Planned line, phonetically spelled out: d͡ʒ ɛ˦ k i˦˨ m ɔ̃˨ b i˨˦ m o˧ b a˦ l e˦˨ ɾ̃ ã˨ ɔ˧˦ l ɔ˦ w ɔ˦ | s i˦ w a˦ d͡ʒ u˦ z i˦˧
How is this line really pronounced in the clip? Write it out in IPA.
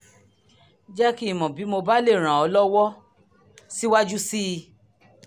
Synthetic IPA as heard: d͡ʒ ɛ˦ k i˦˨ m ɔ̃˨ b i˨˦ m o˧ b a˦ l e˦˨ ɾ̃ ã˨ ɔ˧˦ l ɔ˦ w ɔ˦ | s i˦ w a˦ d͡ʒ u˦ s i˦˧